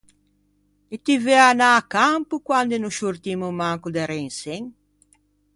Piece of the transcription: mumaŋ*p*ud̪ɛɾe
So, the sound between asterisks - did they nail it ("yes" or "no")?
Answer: no